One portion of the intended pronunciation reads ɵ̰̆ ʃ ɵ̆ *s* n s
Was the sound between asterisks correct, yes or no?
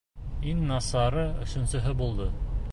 no